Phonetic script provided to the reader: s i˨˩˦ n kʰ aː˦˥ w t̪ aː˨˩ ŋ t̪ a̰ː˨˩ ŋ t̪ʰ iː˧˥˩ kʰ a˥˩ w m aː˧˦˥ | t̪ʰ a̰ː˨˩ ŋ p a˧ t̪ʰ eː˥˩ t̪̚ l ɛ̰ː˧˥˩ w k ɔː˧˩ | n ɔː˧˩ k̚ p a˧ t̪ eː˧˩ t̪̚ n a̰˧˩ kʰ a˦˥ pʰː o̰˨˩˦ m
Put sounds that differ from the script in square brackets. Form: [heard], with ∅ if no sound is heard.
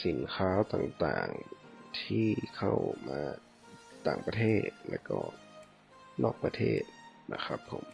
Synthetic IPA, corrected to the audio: s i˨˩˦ n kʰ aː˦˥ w t̪ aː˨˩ ŋ t̪ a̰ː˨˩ ŋ t̪ʰ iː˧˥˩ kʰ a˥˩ w m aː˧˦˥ | [t̪] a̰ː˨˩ ŋ p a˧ t̪ʰ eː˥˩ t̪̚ l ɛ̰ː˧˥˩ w k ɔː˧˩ | n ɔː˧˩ k̚ p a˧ [t̪ʰ] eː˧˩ t̪̚ n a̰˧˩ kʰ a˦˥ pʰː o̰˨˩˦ m